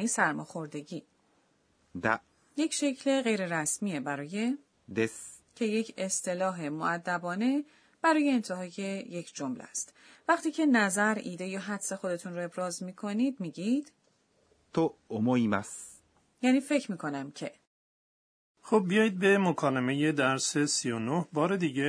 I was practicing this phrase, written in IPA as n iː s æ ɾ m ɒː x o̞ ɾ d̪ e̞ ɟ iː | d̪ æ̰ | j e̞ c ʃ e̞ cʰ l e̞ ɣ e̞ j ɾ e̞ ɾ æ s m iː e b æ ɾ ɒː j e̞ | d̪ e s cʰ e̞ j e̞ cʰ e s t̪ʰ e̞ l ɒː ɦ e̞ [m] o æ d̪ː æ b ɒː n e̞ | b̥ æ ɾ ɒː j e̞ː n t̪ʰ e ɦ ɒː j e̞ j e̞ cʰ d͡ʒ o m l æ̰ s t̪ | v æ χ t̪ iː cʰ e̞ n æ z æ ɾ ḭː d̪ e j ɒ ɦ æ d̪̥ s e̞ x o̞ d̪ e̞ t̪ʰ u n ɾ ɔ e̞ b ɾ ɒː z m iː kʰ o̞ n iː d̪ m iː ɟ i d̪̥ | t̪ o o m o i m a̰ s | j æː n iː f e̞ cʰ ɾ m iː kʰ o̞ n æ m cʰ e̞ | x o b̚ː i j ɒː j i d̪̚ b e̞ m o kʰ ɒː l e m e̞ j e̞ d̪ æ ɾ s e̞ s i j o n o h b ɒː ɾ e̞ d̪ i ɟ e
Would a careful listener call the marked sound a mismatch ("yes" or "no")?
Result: no